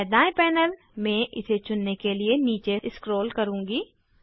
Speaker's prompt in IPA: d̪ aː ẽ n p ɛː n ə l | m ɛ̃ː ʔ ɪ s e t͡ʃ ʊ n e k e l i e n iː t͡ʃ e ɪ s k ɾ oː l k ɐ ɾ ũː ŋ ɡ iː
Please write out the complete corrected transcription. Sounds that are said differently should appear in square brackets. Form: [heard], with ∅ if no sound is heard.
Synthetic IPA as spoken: d̪ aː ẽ [∅] p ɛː n ə l | m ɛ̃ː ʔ ɪ s e t͡ʃ ʊ [nː] e k e l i e n iː t͡ʃ e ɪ s k ɾ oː l k ɐ ɾ ũː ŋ ɡ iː